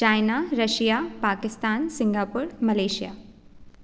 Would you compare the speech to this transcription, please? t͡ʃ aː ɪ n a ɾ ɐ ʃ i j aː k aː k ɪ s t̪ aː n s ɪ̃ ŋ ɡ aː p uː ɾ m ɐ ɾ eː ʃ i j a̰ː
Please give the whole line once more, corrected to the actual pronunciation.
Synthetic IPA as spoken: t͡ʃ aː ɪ n a ɾ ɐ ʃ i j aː p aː k ɪ s t̪ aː n s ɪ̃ ŋ ɡ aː p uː ɾ m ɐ l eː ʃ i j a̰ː